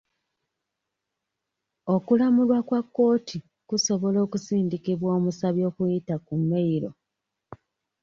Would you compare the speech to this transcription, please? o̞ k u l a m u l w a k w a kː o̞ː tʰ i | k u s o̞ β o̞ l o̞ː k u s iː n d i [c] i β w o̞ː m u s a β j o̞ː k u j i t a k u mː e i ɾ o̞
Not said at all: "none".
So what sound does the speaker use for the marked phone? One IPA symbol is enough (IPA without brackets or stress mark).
k